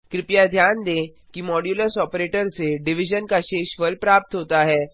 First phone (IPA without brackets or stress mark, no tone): k